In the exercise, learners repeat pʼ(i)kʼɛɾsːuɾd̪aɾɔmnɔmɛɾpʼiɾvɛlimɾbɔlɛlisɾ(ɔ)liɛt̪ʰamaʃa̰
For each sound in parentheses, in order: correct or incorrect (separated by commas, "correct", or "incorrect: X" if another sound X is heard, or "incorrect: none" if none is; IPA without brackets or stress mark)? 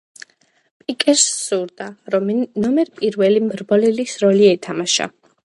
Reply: correct, correct